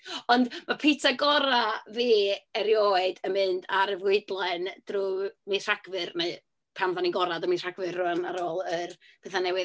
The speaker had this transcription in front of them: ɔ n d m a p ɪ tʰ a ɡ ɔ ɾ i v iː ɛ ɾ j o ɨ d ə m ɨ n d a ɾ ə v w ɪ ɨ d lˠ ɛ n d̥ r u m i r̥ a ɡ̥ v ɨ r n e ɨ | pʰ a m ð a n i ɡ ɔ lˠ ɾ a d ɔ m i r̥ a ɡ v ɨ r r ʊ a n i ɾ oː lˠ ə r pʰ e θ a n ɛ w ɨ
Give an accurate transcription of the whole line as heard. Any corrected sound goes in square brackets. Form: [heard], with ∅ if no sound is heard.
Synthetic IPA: ɔ n d m a [pʰ] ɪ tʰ a ɡ ɔ ɾ [a] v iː ɛ ɾ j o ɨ d ə m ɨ n d a ɾ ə v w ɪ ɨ d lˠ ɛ n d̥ r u m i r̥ a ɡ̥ v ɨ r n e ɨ | pʰ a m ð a n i ɡ ɔ [∅] ɾ a d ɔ m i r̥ a ɡ v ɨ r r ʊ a n [a] ɾ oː lˠ ə r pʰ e θ a n ɛ w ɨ